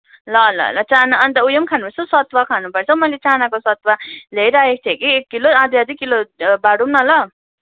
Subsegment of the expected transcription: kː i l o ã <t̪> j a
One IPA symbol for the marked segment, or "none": d̪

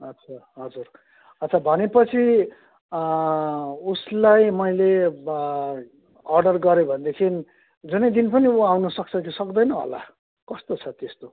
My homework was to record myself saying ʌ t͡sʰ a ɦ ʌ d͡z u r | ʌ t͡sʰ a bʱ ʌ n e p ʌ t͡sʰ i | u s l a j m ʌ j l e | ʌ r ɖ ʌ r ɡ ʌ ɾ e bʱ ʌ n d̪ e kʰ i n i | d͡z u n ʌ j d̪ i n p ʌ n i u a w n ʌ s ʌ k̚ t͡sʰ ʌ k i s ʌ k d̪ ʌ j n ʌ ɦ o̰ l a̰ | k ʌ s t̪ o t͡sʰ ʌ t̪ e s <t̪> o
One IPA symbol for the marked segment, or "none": t̪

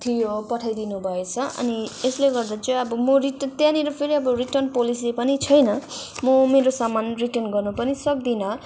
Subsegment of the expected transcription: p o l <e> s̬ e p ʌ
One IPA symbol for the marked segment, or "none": i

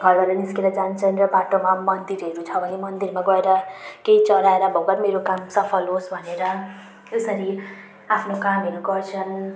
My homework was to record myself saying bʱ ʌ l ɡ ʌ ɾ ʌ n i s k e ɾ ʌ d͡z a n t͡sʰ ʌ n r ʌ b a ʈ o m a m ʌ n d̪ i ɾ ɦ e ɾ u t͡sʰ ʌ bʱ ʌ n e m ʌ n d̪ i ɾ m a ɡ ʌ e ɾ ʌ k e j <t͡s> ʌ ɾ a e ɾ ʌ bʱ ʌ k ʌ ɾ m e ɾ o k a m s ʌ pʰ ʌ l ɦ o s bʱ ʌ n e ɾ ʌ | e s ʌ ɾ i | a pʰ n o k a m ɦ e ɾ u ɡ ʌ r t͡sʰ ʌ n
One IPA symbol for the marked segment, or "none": t͡s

